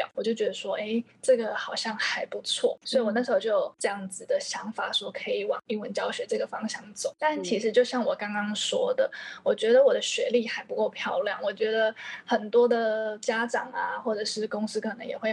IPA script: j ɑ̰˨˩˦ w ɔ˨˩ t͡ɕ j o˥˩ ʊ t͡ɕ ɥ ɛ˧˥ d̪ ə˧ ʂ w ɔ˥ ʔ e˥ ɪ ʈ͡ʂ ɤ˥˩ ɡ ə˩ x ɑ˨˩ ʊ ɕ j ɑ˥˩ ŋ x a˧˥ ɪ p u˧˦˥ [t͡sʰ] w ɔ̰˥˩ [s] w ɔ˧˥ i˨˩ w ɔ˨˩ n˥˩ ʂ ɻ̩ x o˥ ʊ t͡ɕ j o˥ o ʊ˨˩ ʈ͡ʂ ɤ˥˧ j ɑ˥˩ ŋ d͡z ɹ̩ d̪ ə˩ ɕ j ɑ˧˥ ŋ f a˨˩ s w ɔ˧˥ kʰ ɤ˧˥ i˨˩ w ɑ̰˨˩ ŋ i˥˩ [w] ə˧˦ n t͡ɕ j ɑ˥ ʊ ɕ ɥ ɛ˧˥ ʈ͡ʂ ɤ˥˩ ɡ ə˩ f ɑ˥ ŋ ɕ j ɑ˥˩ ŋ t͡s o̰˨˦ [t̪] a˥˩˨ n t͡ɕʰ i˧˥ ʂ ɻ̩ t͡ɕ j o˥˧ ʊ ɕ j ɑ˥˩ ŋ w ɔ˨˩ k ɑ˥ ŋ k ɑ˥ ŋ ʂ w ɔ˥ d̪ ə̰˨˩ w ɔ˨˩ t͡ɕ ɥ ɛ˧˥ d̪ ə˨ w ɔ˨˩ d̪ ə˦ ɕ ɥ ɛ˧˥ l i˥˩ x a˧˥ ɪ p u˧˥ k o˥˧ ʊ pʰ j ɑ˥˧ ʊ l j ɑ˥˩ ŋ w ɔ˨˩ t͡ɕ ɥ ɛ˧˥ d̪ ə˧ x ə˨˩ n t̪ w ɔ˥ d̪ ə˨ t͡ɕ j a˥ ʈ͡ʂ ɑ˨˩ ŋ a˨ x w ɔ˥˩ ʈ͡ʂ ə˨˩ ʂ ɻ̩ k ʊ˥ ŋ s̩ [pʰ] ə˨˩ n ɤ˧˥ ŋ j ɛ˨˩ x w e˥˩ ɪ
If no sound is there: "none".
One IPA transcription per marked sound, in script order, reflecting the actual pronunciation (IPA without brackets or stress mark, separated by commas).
t͡sʰ, s, w, t̪, kʰ